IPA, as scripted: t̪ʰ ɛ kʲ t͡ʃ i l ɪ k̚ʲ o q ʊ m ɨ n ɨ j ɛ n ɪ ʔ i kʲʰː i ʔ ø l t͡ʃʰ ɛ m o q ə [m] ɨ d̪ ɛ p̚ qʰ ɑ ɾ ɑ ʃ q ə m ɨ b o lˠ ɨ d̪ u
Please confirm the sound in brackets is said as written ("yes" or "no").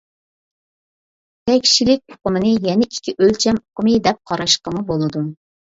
yes